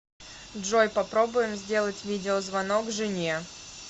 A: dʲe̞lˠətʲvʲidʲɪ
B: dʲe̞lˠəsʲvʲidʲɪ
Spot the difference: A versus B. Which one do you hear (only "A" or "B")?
A